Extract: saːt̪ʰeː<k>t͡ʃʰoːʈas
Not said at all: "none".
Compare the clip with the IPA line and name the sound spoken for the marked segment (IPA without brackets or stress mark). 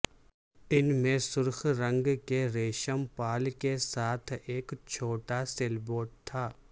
k